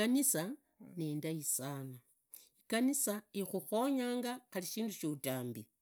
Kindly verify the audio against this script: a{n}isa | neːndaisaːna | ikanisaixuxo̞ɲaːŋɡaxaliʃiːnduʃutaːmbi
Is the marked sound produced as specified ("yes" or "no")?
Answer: yes